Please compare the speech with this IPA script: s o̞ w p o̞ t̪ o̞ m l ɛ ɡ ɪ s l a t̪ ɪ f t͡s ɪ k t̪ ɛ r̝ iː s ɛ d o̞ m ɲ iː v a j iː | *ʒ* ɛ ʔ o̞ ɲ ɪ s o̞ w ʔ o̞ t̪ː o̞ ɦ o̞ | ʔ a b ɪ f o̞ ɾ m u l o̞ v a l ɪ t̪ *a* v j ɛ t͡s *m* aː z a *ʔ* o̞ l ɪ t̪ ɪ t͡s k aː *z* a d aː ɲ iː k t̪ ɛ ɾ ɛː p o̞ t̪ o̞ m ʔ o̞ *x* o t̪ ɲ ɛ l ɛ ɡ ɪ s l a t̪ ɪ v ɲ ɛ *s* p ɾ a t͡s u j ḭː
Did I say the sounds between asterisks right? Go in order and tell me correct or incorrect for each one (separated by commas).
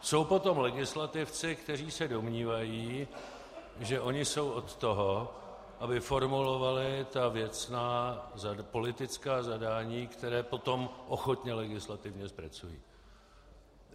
correct, correct, incorrect, incorrect, correct, correct, correct